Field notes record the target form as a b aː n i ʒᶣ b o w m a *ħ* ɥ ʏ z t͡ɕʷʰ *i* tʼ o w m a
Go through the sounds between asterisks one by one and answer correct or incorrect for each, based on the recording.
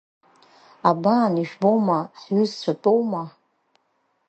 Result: correct, incorrect: a

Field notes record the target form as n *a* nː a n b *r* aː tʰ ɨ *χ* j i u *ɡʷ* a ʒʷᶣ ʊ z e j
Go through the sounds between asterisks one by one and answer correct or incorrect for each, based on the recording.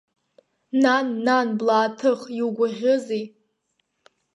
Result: correct, incorrect: l, correct, correct

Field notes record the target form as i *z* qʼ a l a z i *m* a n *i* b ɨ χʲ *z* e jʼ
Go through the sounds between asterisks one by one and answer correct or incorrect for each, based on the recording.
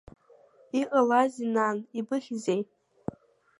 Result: incorrect: none, incorrect: n, correct, correct

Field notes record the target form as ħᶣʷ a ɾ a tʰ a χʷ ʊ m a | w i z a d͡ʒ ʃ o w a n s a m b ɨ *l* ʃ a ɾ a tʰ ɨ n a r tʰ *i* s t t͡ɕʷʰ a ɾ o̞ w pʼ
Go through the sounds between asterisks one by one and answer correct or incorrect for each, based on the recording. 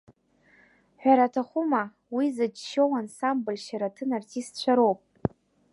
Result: correct, correct

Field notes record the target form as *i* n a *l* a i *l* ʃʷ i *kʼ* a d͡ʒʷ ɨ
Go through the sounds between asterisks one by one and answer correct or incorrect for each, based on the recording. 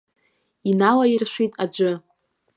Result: correct, correct, incorrect: r, incorrect: tʼ

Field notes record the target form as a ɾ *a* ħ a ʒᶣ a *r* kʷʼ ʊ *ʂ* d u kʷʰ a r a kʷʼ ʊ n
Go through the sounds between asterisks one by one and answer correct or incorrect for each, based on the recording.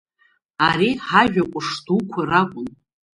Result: incorrect: i, incorrect: none, correct

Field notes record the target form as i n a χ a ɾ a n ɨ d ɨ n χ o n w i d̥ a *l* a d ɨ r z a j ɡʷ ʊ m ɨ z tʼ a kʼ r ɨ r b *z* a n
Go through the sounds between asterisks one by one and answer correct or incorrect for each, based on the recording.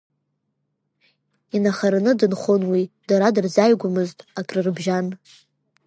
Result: incorrect: ɾ, incorrect: ʒ

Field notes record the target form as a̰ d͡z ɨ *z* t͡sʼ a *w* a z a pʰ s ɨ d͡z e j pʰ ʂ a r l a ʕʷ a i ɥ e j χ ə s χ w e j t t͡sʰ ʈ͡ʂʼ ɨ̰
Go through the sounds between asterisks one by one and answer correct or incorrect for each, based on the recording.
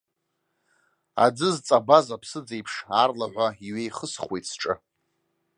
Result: correct, incorrect: b

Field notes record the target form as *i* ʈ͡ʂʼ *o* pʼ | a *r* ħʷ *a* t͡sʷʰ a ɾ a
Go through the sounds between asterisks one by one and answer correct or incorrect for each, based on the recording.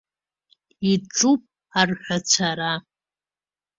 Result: correct, incorrect: u, correct, correct

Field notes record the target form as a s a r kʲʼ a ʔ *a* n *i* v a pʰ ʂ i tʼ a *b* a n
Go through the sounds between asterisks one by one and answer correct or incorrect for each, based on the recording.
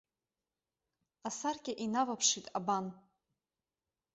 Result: incorrect: i, incorrect: a, correct

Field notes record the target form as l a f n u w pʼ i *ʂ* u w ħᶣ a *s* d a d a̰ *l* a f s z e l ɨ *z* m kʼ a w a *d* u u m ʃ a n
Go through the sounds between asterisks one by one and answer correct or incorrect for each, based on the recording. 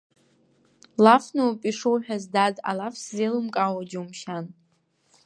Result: correct, incorrect: z, correct, incorrect: none, incorrect: d͡ʒ

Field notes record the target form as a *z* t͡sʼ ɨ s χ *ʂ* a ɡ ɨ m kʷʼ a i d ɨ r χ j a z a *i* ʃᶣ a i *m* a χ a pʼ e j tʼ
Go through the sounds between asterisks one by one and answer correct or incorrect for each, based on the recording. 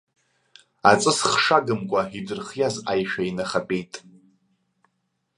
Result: incorrect: none, correct, incorrect: j, incorrect: n

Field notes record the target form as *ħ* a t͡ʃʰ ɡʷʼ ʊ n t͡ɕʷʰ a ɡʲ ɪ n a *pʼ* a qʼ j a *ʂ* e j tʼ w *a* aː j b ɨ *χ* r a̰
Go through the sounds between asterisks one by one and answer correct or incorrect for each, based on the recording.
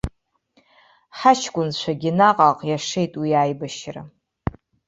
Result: correct, incorrect: qʼ, correct, incorrect: i, incorrect: ʃ

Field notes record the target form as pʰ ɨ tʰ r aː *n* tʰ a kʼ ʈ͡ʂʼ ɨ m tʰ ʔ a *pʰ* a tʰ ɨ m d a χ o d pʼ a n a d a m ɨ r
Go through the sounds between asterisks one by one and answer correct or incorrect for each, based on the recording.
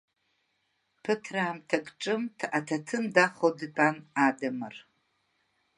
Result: incorrect: m, incorrect: tʰ

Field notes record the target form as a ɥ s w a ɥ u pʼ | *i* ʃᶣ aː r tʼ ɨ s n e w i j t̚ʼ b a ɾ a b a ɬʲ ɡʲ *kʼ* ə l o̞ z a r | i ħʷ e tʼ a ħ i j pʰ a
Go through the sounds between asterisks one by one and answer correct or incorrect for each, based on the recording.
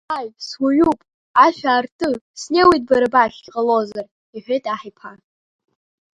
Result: incorrect: a, incorrect: qʼ

